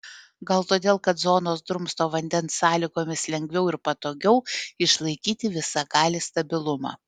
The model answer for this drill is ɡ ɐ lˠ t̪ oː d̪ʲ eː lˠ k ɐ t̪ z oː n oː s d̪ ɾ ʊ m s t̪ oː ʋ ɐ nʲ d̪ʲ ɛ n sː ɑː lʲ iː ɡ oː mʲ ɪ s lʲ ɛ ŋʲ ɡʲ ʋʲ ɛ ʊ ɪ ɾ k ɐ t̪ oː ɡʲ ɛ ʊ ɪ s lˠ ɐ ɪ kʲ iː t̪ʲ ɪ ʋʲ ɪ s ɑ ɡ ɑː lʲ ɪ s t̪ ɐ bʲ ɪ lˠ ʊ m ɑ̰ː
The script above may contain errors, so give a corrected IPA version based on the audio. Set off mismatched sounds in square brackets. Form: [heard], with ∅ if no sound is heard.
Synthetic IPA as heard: ɡ ɐ lˠ t̪ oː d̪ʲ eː lˠ k ɐ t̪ z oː n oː s d̪ ɾ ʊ m s t̪ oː ʋ ɐ nʲ d̪ʲ ɛ n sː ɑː lʲ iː ɡ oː mʲ ɪ s lʲ ɛ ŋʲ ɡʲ ʋʲ ɛ ʊ ɪ ɾ [p] ɐ t̪ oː ɡʲ ɛ ʊ ɪ [ʃ] lˠ ɐ ɪ kʲ iː t̪ʲ ɪ ʋʲ ɪ s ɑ ɡ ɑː lʲ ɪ s t̪ ɐ bʲ ɪ lˠ ʊ m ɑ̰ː